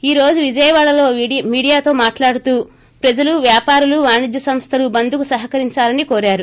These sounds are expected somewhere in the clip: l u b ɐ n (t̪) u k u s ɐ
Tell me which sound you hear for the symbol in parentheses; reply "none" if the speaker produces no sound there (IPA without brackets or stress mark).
d̪